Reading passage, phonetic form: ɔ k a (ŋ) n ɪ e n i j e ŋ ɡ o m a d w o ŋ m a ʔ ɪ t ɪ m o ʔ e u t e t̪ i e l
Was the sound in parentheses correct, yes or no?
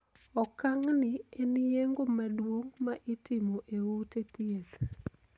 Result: yes